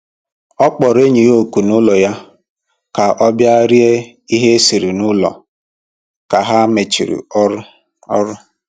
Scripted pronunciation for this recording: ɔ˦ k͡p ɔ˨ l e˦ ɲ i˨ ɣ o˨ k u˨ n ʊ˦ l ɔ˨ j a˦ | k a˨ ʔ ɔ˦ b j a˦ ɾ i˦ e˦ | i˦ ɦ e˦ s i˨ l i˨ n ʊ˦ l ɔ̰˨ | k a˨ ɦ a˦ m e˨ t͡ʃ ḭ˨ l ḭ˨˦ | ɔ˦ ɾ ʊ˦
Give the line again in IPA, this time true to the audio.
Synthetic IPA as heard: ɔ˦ k͡p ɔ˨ ɾ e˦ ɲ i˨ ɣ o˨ k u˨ n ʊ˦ l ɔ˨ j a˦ | k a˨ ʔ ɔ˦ b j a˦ ɾ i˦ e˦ | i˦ ɦ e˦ s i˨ ɾ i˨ n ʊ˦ l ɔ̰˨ | k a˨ ɦ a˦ m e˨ t͡ʃ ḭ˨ ɾ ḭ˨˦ | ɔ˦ ɾ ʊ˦